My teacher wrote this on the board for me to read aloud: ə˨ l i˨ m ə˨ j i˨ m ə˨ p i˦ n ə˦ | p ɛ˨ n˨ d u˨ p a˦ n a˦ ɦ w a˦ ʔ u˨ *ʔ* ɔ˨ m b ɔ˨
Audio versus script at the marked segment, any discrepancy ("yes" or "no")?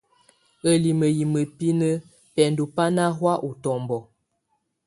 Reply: yes